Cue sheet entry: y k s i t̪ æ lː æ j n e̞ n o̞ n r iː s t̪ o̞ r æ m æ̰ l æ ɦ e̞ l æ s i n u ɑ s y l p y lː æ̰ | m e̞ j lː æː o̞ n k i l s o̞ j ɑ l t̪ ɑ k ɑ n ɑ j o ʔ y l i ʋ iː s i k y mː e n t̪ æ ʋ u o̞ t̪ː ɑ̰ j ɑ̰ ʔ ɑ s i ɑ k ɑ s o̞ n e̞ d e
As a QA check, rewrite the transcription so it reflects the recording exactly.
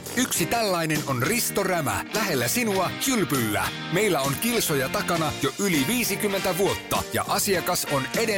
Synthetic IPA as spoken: y k s i t̪ æ lː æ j n e̞ n o̞ n r i s t̪ o̞ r æ m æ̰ l æ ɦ e̞ lː æ s i n u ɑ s y l p y lː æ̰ | m e̞ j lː æ o̞ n k i l s o̞ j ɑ t̪ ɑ k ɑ n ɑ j o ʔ y l i ʋ iː s i k y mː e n t̪ æ ʋ u o̞ t̪ː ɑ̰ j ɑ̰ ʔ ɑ s i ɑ k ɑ s o̞ n e̞ d e